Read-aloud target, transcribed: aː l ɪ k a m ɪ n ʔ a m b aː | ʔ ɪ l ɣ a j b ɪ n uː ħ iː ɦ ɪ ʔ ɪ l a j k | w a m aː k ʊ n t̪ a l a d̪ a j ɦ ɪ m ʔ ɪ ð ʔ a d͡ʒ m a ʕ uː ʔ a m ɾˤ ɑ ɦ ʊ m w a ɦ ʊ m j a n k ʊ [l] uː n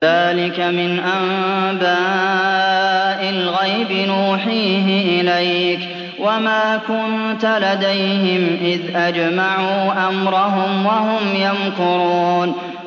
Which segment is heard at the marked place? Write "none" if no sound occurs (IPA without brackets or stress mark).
ɾ